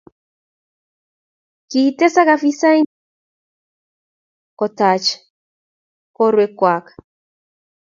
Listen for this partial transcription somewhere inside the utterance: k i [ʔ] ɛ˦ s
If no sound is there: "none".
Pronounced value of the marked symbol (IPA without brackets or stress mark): t